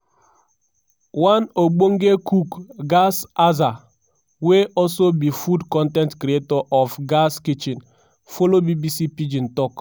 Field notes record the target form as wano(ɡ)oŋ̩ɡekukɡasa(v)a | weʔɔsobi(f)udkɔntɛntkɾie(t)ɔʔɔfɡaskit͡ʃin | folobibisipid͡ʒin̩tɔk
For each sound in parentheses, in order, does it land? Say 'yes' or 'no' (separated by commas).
no, no, yes, yes